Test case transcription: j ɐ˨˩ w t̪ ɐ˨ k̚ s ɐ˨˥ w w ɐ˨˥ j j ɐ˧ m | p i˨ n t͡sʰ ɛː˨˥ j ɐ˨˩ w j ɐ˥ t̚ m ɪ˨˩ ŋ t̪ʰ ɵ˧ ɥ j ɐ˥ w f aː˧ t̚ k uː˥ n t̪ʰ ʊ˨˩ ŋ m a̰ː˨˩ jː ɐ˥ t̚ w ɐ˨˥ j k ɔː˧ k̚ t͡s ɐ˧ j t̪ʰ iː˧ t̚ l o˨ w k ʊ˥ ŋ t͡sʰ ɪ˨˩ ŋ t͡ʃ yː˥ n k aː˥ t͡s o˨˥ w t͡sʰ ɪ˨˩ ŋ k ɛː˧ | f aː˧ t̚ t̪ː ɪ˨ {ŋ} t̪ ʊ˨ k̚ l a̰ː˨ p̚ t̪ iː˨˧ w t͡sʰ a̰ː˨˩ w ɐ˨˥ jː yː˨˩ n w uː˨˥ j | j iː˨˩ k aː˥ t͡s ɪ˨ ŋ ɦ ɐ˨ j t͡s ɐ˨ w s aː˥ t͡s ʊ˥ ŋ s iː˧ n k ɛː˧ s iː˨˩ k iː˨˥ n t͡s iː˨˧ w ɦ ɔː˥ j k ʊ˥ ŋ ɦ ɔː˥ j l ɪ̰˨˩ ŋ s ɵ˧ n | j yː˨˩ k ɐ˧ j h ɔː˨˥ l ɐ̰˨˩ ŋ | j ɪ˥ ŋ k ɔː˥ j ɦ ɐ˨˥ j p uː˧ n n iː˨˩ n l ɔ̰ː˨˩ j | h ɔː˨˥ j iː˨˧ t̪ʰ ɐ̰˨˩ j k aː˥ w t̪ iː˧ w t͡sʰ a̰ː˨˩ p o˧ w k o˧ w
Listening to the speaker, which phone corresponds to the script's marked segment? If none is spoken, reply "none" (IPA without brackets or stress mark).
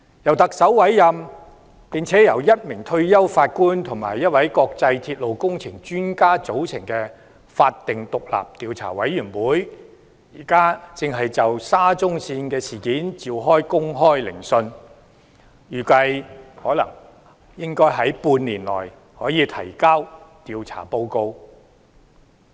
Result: ŋ